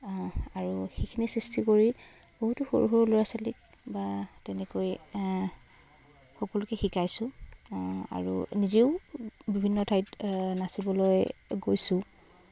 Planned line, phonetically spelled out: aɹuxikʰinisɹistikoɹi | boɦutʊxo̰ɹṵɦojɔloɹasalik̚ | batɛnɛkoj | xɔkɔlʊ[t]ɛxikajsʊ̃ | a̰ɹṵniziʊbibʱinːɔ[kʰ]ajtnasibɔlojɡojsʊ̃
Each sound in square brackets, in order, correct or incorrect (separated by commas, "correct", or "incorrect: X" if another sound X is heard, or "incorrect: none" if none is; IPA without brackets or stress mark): incorrect: k, incorrect: tʰ